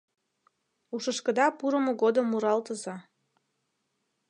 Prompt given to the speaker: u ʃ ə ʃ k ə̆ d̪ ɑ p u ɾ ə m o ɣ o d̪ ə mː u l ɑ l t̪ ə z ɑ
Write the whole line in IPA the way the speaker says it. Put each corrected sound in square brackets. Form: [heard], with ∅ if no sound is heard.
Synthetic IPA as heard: u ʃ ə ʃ k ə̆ d̪ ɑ p u ɾ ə m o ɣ o d̪ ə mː u [ɾ] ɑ l t̪ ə z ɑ